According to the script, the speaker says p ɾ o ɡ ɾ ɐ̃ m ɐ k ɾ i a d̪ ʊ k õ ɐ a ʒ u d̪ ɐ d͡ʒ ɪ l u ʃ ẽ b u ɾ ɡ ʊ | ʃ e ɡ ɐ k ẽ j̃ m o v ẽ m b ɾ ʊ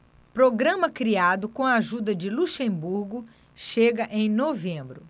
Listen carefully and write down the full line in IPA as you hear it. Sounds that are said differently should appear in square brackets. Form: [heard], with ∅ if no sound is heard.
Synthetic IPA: p ɾ o ɡ ɾ ɐ̃ m ɐ k ɾ i a d̪ ʊ k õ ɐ a ʒ u d̪ ɐ d͡ʒ ɪ l u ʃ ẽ b u ɾ ɡ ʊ | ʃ e ɡ ɐ [ʔ] ẽ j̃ [n] o v ẽ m b ɾ ʊ